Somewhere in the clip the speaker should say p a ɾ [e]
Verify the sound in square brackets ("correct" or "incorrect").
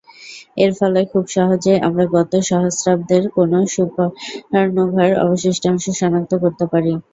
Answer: incorrect